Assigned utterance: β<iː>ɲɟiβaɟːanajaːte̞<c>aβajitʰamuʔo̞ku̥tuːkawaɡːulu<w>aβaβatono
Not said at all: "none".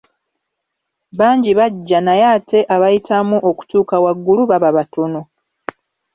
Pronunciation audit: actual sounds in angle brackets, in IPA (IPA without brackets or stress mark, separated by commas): aː, ʔ, β